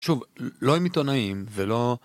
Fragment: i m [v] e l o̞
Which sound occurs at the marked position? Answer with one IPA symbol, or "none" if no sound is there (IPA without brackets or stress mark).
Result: v